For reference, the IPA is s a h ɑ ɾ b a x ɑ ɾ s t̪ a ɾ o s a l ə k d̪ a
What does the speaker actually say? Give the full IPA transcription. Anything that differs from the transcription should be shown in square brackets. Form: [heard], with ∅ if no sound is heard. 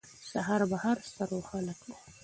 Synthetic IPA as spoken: s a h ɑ ɾ b a [h] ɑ ɾ s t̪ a ɾ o [x] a l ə k d̪ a